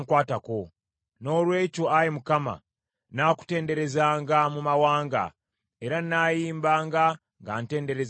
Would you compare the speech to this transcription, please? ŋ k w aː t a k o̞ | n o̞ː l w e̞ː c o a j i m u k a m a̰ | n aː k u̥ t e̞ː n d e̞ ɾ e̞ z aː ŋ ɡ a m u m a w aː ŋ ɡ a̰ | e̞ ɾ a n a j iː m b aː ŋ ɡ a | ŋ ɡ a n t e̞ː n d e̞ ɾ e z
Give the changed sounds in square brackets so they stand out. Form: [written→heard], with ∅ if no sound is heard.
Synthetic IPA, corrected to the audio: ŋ k w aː t a k o̞ | n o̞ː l w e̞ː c o a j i m u k a m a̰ | n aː k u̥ t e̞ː n d e̞ ɾ e̞ z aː ŋ ɡ a m u m a w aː ŋ ɡ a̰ | e̞ ɾ a n a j iː m b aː ŋ ɡ a | ŋ ɡ a n t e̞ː n d e̞ ɾ e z

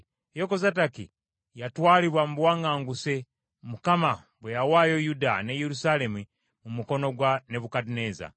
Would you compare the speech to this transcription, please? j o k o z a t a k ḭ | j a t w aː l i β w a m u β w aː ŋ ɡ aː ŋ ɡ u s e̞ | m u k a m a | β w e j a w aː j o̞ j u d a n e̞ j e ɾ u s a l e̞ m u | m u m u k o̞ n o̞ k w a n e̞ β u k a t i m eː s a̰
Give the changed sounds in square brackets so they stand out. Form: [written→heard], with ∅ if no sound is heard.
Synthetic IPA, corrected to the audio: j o k o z a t a k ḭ | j a t w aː l i β w a m u β w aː ŋ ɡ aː ŋ ɡ u s e̞ | m u k a m a | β w e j a w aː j o̞ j u d a n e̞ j e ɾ u s a l e̞ m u | m u m u k o̞ n o̞ [k→ɡ] w a n e̞ β u k a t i [m→n] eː [s→z] a̰

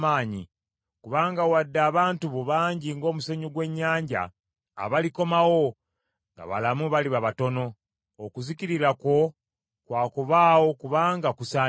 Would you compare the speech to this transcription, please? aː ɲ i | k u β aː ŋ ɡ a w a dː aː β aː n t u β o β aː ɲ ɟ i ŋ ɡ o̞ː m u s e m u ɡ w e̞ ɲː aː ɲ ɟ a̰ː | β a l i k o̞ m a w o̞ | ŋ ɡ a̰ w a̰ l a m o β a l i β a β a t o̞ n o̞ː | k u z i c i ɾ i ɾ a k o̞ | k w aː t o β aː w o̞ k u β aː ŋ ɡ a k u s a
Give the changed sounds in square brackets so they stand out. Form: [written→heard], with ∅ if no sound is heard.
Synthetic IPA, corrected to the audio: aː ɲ i | k u β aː ŋ ɡ a w a dː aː β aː n t u β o β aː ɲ ɟ i ŋ ɡ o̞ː m u s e [m→ɲ] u ɡ w e̞ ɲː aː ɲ ɟ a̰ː | β a l i k o̞ m a w o̞ | ŋ ɡ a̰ [w→β] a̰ l a m [o→u] β a l i β a β a t o̞ n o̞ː | k u z i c i ɾ i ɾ a k o̞ | k w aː [t→k] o β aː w o̞ k u β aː ŋ ɡ a k u s a

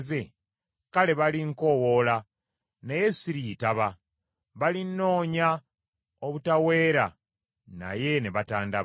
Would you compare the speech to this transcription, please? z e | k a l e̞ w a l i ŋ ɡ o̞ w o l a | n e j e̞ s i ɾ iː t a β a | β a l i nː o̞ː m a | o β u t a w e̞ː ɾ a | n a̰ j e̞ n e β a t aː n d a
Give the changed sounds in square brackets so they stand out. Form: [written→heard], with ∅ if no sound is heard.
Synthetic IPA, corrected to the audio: z e | k a l e̞ [w→β] a l i ŋ [ɡ→k] o̞ w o l a | n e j e̞ s i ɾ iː t a β a | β a l i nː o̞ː [m→ɲ] a | o β u t a w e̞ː ɾ a | n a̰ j e̞ n e β a t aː n d a

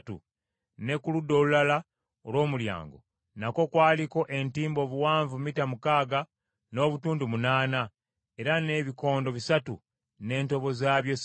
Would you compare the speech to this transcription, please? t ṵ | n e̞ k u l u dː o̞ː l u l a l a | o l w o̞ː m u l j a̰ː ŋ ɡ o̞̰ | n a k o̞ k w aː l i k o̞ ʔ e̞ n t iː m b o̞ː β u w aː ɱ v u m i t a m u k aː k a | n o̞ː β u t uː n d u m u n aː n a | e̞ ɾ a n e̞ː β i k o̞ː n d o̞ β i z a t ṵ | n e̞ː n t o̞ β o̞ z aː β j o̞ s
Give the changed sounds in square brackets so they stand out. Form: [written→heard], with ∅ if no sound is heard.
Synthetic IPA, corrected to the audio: t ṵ | n e̞ k u l u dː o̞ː l u l a l a | o l w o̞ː m u l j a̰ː ŋ ɡ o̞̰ | n a k o̞ k w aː l i k o̞ ʔ e̞ n t iː m b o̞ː β u w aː ɱ v u m i t a m u k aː [k→ɡ] a | n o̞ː β u t uː n d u m u n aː n a | e̞ ɾ a n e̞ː β i k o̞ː n d o̞ β i [z→s] a t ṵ | n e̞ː n t o̞ β o̞ z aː β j o̞ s

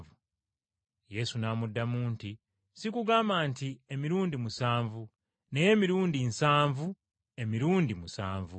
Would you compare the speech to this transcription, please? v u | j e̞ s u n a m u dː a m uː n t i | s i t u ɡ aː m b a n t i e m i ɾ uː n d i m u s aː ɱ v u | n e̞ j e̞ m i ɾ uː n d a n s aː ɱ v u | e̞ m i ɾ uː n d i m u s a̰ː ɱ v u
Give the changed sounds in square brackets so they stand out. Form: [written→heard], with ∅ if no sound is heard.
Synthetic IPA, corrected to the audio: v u | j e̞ s u n a m u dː a m uː n t i | s i [t→k] u ɡ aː m b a n t i e m i ɾ uː n d i m u s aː ɱ v u | n e̞ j e̞ m i ɾ uː n d [a→i] n s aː ɱ v u | e̞ m i ɾ uː n d i m u s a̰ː ɱ v u

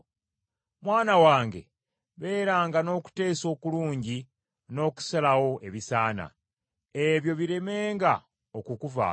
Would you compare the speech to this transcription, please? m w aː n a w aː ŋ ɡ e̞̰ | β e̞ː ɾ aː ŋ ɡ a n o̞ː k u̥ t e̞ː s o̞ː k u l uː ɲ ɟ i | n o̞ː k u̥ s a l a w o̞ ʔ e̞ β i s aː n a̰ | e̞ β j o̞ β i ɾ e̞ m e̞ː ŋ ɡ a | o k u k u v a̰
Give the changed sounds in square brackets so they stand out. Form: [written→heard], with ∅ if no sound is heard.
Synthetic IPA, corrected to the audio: m w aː n a w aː ŋ ɡ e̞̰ | β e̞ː ɾ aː ŋ ɡ a n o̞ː k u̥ t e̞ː s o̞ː k u l uː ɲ ɟ i | n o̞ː k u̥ s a l a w o̞ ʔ e̞ β i s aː n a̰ | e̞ β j o̞ β i ɾ e̞ m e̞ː ŋ ɡ a | o k u k u v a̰

